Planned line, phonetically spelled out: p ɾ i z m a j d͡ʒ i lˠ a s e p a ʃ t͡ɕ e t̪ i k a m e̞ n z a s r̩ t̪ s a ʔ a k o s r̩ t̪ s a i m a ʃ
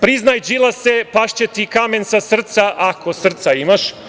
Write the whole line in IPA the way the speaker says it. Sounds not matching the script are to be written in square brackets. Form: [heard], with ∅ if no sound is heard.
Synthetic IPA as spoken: p ɾ i z [n] a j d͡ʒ i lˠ a s e p a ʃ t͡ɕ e t̪ i k a m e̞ n [s] a s r̩ t̪ s a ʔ a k o s r̩ t̪ s a i m a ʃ